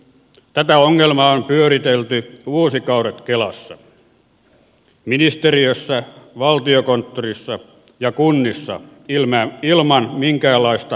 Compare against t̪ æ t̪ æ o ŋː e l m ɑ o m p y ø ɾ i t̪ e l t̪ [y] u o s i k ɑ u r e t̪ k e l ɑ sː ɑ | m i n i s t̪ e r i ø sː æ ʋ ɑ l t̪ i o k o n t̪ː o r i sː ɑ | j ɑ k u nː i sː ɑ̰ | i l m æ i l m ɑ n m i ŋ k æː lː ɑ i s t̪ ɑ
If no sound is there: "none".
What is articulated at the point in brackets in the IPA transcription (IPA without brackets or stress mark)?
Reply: y